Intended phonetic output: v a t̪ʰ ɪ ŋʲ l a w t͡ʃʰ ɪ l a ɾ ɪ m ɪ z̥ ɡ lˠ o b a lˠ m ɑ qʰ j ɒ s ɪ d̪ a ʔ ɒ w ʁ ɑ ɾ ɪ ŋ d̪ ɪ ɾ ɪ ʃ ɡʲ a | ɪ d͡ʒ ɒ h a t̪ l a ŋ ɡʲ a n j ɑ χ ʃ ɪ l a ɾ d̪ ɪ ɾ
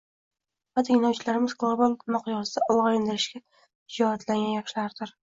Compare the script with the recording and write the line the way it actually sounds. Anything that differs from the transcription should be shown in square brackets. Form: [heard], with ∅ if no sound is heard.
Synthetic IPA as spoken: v a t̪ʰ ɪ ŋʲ l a w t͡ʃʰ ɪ l a ɾ ɪ m ɪ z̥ ɡ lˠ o b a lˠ m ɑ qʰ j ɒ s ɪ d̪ a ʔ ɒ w ʁ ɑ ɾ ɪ [n] d̪ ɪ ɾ ɪ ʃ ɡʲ a | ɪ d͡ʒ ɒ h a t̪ l a ŋ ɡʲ a n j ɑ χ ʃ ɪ l a ɾ d̪ ɪ ɾ